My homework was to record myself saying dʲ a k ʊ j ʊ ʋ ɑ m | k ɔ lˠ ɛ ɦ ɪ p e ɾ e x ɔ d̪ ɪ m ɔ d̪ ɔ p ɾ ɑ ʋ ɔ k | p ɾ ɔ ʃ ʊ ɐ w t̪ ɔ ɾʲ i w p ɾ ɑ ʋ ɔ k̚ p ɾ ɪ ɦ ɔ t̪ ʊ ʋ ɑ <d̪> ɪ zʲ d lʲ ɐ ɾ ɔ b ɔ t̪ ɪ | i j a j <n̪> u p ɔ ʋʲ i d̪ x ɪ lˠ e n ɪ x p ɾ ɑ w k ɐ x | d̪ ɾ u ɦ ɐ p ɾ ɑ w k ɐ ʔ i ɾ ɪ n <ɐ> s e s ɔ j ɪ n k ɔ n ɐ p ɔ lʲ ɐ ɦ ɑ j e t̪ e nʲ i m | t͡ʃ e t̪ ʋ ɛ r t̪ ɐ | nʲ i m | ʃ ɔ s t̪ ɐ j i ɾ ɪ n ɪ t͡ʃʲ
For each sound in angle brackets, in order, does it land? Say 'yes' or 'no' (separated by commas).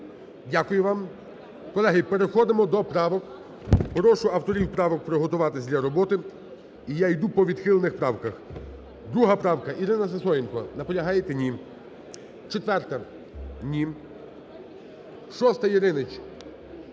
no, no, yes